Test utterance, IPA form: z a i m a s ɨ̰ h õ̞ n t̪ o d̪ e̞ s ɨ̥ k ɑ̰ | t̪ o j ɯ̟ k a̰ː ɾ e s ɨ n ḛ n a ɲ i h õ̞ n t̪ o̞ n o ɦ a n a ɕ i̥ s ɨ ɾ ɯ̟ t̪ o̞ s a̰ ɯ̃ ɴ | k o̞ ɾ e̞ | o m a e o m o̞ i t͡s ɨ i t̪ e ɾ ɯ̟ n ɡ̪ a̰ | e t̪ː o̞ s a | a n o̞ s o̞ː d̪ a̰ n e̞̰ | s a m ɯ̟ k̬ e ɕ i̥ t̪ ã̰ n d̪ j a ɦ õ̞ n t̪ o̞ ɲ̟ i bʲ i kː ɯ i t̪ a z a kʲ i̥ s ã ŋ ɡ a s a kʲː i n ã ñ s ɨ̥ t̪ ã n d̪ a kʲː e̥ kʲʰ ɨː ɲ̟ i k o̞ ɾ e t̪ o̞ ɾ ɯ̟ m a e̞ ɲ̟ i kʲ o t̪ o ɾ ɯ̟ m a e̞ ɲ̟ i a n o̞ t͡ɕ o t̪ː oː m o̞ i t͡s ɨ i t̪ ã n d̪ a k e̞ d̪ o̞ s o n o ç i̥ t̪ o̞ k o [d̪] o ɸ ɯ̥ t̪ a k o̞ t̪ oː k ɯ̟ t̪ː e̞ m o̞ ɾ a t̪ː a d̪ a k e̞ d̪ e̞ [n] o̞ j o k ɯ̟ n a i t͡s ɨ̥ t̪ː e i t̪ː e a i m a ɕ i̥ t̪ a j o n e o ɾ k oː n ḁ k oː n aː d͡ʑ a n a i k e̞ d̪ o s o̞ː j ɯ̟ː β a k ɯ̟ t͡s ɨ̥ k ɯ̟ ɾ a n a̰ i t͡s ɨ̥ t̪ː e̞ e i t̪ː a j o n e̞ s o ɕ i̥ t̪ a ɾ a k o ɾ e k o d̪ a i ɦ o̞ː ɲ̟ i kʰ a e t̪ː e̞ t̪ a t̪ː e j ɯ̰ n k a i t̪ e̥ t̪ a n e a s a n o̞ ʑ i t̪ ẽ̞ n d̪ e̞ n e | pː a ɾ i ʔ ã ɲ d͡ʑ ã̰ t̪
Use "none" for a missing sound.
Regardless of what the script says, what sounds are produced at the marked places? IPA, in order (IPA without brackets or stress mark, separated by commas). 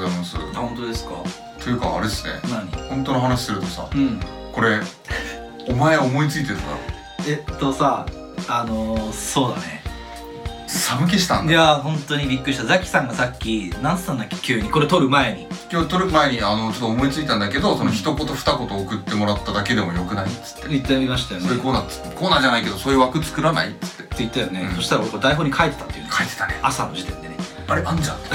t̪, m